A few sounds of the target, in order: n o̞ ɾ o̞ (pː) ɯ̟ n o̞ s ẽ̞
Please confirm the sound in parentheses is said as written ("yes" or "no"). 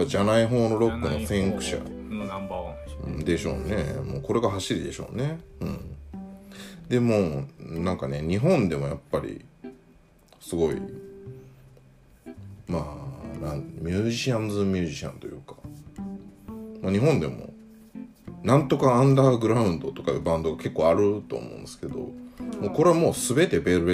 no